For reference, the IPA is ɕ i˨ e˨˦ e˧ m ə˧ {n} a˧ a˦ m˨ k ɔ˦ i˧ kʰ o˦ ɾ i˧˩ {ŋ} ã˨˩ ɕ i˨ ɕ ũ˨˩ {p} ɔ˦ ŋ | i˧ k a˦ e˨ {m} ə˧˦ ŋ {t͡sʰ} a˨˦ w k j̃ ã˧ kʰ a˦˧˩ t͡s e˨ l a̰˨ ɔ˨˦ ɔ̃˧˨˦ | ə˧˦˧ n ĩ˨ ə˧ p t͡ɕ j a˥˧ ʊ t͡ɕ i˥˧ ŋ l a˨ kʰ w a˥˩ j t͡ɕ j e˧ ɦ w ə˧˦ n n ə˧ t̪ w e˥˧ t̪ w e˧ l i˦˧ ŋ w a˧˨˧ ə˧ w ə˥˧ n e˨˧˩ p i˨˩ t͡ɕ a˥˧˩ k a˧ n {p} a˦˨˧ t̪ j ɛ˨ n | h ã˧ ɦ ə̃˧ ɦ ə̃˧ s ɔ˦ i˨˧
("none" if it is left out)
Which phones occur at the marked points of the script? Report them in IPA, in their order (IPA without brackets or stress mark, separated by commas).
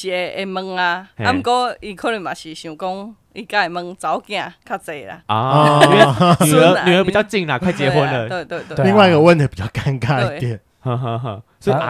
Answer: ŋ, m, k, m, t͡s, k